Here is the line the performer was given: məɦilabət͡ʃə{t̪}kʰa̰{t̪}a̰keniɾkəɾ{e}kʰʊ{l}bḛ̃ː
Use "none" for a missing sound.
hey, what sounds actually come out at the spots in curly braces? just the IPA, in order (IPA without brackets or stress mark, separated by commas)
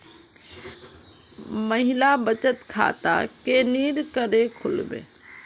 t̪, t̪, e, l